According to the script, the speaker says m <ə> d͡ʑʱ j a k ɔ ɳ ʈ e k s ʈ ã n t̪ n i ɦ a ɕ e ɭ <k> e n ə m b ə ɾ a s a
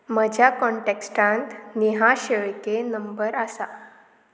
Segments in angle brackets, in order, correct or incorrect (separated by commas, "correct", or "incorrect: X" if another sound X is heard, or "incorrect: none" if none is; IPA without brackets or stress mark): correct, correct